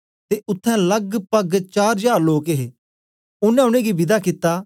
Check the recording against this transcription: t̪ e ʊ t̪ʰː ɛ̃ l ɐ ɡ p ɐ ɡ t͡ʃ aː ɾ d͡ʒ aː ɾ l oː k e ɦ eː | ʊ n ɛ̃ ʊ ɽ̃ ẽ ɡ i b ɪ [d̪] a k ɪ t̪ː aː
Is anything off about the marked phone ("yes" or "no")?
no